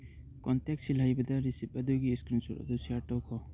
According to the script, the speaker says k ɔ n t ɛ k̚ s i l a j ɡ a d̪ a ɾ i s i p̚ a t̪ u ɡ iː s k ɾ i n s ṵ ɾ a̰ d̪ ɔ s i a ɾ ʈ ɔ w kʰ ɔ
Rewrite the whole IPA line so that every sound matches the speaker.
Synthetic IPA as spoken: k ɔ n t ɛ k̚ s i l a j b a d̪ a ɾ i s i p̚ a d̪ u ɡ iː s k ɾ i n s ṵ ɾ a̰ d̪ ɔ s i a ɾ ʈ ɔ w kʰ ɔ